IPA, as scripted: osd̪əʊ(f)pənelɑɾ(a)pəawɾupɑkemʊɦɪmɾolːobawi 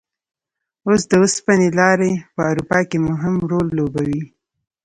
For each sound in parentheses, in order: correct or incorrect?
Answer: incorrect, incorrect

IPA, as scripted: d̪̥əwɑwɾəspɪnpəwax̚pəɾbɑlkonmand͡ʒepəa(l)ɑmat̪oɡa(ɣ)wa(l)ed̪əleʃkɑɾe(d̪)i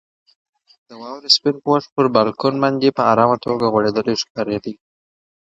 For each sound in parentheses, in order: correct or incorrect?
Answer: incorrect, correct, incorrect, correct

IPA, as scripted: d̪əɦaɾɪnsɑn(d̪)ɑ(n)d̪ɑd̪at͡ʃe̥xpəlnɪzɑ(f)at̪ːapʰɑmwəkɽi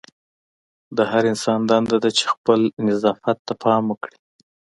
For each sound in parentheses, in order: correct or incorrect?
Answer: correct, correct, correct

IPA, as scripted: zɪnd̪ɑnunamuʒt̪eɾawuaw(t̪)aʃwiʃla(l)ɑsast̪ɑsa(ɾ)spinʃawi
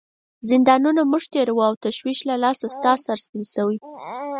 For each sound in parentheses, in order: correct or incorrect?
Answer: correct, correct, correct

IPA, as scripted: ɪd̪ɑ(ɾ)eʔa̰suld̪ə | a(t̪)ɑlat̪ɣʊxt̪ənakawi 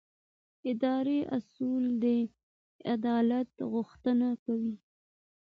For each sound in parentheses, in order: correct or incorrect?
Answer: correct, incorrect

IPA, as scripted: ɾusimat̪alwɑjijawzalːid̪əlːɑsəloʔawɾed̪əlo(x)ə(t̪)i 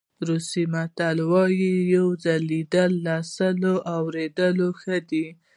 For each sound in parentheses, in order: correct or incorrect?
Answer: correct, incorrect

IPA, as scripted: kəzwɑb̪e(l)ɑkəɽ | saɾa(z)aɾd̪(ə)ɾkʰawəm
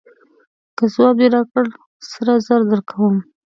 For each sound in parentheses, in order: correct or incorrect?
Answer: incorrect, correct, correct

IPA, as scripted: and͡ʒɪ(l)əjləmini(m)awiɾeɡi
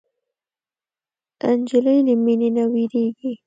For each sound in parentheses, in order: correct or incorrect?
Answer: correct, incorrect

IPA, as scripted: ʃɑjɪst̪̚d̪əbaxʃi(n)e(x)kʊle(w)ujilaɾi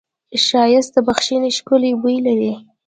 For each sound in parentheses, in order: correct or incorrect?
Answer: correct, incorrect, incorrect

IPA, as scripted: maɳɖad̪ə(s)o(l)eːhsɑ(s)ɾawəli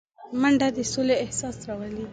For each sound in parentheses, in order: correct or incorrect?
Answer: correct, correct, correct

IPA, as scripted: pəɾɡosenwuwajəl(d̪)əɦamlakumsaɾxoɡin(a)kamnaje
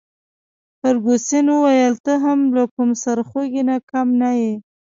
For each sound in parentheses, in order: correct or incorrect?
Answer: incorrect, correct

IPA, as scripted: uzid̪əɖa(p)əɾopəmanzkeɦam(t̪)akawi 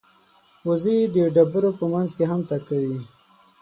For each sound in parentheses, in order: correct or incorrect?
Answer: incorrect, correct

